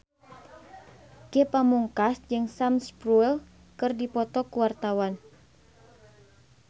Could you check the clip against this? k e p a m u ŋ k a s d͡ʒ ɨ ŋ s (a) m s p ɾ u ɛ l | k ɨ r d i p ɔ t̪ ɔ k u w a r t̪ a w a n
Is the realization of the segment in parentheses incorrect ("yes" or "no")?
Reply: no